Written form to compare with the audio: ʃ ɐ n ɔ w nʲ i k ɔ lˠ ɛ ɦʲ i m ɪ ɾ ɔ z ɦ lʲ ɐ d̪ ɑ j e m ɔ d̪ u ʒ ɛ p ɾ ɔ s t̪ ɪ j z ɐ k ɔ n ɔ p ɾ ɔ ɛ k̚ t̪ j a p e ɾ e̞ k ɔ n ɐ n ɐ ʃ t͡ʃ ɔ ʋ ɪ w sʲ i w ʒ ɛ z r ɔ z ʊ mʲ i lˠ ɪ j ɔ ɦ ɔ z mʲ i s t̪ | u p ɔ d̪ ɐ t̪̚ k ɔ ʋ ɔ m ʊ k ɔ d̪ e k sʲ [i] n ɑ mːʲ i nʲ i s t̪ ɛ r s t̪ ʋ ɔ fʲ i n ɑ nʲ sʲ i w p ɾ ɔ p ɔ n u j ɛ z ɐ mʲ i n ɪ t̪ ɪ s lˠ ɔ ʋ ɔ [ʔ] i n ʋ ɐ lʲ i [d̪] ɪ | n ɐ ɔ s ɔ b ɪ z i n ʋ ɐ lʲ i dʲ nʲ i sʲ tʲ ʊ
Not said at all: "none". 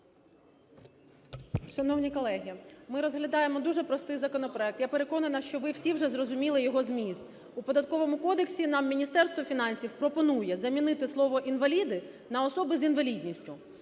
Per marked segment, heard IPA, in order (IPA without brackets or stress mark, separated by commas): i, ʔ, d̪